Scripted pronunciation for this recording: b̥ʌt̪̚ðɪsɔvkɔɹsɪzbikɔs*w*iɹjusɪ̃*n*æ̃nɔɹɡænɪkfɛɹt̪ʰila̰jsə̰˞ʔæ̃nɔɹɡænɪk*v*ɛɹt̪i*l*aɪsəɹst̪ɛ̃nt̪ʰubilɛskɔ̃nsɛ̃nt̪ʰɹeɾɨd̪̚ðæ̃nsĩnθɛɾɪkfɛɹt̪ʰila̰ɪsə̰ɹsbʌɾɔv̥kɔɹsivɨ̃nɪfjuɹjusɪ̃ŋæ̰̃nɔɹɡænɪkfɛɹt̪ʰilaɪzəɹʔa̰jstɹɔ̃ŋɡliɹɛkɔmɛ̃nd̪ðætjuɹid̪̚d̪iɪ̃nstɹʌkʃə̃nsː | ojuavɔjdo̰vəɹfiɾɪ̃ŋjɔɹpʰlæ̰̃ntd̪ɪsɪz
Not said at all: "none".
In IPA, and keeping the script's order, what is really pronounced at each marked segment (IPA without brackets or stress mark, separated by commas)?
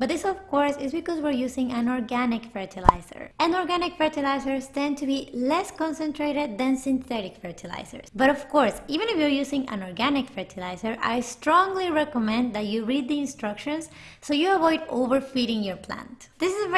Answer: w, ŋ, f, l